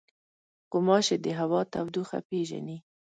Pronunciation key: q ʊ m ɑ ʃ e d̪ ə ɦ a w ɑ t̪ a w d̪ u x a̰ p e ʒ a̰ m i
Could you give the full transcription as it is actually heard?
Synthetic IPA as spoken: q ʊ m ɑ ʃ e d̪ ə ɦ a w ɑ t̪ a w d̪ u x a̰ p e ʒ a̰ n i